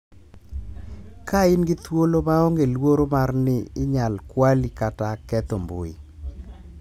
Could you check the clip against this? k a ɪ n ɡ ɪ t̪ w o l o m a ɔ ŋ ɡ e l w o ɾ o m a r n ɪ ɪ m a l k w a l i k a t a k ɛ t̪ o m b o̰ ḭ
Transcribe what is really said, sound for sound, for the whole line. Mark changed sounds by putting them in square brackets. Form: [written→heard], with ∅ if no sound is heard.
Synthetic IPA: k a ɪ n ɡ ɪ t̪ w o l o m a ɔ ŋ ɡ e l w o ɾ o m a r n ɪ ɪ [m→ɲ] a l k w a l i k a t a k ɛ t̪ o m b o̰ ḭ